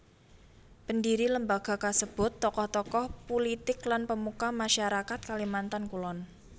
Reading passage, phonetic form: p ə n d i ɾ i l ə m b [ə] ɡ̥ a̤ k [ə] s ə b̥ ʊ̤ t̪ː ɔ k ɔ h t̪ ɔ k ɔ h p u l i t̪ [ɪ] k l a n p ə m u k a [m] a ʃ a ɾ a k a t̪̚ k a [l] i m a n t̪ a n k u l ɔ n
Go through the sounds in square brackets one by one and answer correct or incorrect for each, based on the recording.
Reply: incorrect: a, incorrect: a, correct, correct, correct

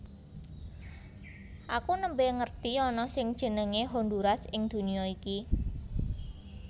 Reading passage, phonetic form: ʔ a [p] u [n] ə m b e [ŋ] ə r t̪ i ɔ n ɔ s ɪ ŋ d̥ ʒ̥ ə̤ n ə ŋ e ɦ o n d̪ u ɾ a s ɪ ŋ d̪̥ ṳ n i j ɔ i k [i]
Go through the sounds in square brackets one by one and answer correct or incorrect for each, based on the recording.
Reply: incorrect: k, correct, correct, correct

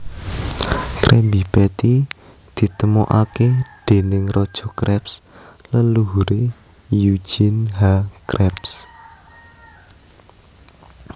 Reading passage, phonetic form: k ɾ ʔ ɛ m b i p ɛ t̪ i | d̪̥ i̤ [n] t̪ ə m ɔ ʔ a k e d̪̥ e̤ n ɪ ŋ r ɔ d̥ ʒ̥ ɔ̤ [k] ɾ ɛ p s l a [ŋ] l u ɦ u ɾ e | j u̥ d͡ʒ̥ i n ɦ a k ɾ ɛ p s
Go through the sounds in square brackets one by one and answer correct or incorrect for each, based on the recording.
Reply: incorrect: none, correct, incorrect: n

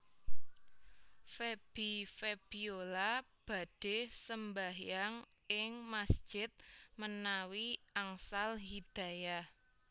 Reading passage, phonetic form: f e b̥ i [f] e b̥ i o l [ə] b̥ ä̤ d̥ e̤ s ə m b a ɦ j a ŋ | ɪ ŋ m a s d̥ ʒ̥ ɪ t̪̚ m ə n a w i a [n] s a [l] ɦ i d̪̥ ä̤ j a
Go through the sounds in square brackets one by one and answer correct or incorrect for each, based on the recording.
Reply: correct, incorrect: a, incorrect: ŋ, correct

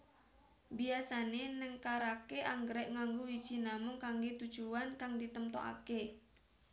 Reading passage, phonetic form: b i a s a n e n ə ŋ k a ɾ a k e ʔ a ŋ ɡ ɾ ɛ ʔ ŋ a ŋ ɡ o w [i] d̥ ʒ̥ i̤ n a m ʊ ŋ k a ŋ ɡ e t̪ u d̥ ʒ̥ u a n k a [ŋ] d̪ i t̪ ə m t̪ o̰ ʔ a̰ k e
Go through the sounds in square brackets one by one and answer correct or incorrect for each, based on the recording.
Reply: correct, correct

